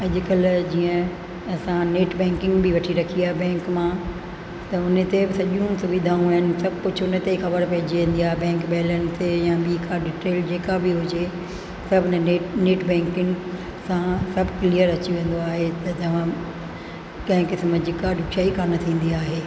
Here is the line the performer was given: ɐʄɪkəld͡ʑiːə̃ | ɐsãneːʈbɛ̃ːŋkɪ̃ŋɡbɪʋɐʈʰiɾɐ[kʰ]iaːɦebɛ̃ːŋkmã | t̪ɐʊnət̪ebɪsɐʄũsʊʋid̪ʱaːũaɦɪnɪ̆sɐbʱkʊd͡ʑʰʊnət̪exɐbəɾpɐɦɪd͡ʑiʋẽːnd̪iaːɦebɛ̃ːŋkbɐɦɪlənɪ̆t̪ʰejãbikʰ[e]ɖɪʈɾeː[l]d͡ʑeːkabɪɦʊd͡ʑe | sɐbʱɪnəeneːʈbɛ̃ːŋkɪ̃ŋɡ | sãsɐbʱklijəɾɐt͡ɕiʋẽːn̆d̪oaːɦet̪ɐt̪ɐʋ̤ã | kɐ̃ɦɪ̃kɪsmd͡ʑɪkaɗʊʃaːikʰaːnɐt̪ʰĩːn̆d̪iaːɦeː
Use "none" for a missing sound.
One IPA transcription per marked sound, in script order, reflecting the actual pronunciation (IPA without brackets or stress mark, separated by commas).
kʰ, a, l